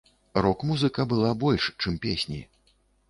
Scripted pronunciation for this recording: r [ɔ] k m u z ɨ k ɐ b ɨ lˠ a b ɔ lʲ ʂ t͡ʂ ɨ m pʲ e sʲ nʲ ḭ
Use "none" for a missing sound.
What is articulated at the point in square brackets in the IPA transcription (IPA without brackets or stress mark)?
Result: ɔ